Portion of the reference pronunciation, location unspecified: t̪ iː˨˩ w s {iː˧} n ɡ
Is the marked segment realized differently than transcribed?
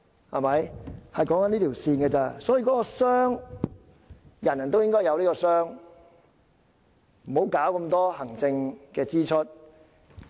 no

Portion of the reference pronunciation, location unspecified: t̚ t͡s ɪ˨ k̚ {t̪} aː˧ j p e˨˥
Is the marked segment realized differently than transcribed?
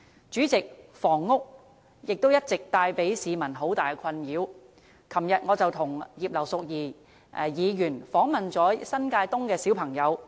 no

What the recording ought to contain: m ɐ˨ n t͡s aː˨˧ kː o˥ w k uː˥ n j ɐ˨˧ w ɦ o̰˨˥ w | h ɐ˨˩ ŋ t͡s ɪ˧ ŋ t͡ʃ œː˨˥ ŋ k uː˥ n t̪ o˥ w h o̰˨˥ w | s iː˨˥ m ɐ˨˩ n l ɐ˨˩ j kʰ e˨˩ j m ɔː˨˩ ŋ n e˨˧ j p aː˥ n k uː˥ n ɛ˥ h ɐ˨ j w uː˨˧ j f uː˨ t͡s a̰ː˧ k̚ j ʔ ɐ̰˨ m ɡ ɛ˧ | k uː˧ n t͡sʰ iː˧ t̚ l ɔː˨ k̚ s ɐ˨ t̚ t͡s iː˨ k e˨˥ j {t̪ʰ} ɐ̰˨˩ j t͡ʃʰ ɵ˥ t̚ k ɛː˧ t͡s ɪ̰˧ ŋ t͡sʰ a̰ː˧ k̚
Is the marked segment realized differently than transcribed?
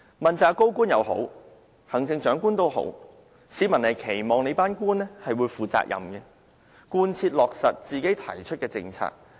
no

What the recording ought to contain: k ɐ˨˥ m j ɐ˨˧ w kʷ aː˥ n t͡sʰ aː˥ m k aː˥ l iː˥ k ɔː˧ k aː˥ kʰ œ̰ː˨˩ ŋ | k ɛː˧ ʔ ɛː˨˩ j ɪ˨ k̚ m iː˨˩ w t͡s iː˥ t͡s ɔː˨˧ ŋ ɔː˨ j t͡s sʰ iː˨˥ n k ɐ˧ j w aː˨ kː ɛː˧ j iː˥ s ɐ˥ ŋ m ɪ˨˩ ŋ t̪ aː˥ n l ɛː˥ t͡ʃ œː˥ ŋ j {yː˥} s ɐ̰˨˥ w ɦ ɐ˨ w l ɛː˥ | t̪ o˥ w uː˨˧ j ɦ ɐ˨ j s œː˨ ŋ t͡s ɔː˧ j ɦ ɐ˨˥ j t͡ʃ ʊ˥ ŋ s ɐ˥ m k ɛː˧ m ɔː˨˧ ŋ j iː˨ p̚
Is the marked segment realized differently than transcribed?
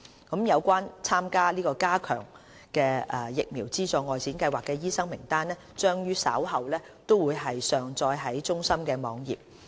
no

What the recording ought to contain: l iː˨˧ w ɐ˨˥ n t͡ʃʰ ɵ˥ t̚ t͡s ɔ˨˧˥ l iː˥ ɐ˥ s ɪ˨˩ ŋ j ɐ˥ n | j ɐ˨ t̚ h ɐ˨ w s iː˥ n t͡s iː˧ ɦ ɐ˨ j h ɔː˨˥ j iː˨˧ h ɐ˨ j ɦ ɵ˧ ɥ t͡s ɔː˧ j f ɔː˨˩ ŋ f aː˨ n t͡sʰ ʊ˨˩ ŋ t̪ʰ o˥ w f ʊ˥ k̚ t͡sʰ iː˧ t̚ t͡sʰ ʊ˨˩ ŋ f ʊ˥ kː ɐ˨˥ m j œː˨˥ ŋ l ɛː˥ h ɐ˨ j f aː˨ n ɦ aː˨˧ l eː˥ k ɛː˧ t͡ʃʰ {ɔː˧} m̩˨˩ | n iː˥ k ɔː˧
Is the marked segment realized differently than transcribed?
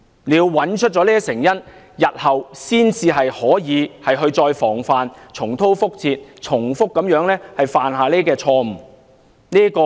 no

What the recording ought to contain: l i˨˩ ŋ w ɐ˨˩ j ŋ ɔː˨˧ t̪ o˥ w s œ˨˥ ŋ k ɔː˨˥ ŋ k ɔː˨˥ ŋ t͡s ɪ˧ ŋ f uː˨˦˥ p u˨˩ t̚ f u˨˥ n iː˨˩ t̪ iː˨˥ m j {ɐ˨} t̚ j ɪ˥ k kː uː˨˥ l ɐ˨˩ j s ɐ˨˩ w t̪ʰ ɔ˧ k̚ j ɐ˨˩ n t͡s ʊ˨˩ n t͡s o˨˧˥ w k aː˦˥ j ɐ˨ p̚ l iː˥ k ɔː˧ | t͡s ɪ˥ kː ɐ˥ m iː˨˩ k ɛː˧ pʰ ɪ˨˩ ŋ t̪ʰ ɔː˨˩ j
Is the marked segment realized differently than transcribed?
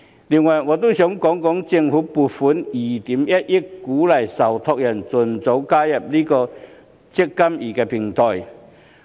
yes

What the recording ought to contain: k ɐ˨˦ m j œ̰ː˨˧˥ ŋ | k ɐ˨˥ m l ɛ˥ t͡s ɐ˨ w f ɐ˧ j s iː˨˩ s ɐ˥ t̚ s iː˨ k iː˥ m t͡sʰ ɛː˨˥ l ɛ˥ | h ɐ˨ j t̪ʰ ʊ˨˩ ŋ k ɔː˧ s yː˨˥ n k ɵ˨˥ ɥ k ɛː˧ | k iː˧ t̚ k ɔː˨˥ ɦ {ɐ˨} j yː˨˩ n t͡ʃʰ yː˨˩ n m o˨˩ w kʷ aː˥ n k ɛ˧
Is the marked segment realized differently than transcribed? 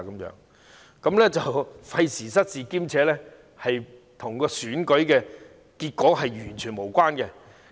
no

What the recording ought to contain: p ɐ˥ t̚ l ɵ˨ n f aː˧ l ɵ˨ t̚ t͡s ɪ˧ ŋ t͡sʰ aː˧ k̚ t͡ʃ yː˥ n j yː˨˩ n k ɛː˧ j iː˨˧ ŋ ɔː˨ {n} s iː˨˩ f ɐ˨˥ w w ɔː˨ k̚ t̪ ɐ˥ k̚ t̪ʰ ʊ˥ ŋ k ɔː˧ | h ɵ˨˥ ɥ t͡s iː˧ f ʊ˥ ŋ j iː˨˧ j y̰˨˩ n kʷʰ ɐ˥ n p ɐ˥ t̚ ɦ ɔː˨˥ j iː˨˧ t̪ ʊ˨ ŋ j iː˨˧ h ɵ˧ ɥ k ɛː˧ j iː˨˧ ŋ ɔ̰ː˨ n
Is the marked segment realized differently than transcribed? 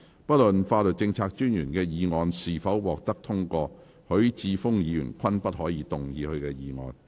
no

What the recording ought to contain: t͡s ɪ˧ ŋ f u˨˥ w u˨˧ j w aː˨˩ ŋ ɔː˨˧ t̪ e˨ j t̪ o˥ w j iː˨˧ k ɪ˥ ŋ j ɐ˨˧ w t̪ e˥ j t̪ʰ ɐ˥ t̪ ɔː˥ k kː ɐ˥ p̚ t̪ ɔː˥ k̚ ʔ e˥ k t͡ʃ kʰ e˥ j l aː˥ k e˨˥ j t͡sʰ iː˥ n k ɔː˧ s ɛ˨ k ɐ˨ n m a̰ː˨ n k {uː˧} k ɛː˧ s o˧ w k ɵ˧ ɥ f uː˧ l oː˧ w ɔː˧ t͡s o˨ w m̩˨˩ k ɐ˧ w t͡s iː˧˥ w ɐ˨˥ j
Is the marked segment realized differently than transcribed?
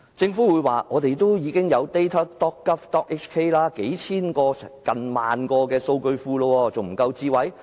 yes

